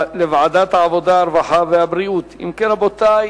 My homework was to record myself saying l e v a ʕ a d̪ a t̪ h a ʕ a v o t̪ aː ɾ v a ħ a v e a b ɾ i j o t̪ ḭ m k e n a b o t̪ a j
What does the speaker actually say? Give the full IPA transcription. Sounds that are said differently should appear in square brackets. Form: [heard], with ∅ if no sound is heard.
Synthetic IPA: l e v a ʕ a d̪ a t̪ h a ʕ a v o [d̪] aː ɾ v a ħ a v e a b ɾ i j [u] t̪ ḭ m k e n a b o t̪ a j